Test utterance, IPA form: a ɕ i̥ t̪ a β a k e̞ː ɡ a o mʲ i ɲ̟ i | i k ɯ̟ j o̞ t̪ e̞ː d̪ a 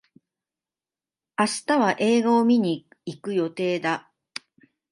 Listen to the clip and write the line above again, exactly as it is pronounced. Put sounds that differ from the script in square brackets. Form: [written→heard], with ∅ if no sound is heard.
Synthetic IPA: a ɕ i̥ t̪ a β a [k→ʔ] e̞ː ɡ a o mʲ i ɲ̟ i | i k ɯ̟ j o̞ t̪ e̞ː d̪ a